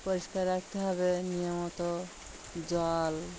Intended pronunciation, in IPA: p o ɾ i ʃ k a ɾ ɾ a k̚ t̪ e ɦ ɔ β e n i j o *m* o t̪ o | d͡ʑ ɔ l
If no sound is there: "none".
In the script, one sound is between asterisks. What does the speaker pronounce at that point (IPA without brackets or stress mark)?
m